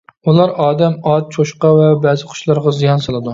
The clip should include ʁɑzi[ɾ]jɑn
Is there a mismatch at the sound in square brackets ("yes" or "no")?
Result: yes